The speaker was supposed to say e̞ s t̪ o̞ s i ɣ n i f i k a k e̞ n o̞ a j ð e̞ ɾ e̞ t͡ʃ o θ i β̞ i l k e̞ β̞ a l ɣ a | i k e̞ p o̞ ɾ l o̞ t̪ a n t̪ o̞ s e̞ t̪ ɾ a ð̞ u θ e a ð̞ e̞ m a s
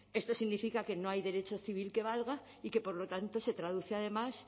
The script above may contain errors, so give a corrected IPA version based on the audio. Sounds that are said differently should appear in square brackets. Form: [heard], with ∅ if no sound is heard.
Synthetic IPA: e̞ s t̪ o̞ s i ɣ n i f i k a k e̞ n o̞ a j ð e̞ ɾ e̞ t͡ʃ o θ i β̞ i l k e̞ β̞ a l ɣ a | i k e̞ p o̞ ɾ l o̞ t̪ a n t̪ o̞ s e̞ t̪ ɾ a ð̞ u θ e a ð̞ e̞ m a s